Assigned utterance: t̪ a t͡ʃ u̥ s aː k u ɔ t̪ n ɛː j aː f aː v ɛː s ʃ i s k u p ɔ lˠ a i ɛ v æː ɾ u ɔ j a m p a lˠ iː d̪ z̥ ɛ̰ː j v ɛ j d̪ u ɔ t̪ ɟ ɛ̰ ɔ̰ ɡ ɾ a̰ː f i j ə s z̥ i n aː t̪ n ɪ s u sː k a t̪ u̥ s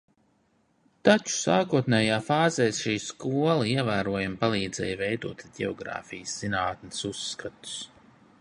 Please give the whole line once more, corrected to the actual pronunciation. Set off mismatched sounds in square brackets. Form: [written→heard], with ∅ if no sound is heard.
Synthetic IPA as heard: t̪ a t͡ʃ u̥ s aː k u ɔ t̪ n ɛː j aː f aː [v→z] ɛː s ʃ [i→iː] s k u [p→∅] ɔ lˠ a i ɛ v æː ɾ u ɔ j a m p a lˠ iː d̪ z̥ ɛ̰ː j v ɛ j d̪ u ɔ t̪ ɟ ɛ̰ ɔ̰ ɡ ɾ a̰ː f i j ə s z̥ i n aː t̪ n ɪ s u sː k a t̪ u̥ s